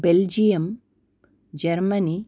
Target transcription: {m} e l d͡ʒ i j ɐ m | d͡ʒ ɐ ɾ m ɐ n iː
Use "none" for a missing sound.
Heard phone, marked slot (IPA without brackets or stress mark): b